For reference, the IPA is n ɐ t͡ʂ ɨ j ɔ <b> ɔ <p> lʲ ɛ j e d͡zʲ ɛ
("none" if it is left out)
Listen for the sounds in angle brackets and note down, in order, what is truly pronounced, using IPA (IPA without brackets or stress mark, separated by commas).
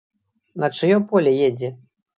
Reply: p, none